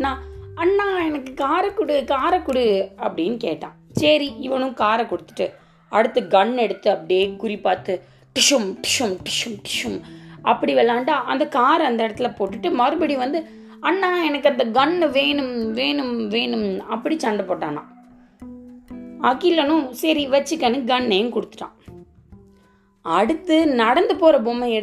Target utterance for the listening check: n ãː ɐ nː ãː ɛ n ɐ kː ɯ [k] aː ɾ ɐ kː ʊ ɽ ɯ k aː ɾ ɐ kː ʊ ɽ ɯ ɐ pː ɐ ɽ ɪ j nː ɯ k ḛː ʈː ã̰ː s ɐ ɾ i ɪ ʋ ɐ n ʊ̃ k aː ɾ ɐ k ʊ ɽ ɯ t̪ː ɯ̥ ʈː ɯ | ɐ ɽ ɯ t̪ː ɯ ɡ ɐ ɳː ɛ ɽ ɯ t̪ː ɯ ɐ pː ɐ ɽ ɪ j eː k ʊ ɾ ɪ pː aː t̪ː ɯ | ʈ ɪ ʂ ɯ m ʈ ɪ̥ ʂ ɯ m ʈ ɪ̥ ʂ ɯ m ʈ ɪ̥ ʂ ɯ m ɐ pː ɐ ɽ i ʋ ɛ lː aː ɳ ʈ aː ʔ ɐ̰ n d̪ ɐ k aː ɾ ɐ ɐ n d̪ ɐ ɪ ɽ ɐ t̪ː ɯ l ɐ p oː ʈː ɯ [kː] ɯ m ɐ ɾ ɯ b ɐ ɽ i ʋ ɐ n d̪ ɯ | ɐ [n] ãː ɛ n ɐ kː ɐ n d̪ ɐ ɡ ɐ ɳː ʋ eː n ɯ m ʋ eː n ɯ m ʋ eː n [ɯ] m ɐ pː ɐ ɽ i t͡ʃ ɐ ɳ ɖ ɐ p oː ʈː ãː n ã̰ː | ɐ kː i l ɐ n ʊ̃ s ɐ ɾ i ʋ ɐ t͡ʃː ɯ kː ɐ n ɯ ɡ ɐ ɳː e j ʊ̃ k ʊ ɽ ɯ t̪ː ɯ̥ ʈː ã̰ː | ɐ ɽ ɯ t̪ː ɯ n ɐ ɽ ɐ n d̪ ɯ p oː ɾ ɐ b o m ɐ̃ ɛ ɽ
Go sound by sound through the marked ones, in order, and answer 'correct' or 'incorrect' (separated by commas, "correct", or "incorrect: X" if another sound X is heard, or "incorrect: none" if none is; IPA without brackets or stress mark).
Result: correct, incorrect: ʈː, incorrect: nː, correct